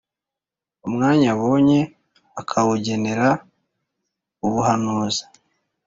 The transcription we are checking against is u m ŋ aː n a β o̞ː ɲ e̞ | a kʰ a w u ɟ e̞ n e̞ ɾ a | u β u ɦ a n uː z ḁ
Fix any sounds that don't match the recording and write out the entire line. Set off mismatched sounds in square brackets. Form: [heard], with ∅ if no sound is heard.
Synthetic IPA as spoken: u m ŋ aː [ɲ] a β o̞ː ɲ e̞ | a kʰ a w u ɟ e̞ n e̞ ɾ a | u β u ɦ a n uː z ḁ